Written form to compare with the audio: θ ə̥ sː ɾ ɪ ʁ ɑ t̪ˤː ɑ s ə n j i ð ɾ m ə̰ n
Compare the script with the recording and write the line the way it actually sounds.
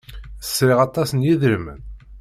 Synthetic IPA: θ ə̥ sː ɾ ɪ ʁ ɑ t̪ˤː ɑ s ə n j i ð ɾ m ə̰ n